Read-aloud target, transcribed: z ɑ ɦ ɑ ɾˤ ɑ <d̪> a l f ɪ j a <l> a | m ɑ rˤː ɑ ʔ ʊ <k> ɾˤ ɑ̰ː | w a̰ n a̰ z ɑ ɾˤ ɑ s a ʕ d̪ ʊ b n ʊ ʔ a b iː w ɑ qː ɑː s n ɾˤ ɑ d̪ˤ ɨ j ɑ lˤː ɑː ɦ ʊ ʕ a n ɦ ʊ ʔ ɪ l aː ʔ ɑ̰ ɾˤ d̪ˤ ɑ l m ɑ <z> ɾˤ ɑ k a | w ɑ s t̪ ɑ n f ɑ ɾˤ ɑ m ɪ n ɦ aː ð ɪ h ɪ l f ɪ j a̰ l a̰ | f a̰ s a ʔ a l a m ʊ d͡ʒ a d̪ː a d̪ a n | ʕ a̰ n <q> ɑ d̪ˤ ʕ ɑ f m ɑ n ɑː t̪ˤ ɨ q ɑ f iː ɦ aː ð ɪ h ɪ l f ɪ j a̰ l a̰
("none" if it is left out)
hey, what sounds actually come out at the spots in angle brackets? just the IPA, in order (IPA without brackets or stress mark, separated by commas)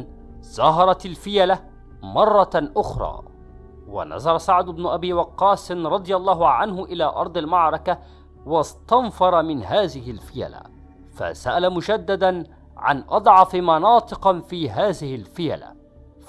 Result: t̪, l, x, ʕ, ʔ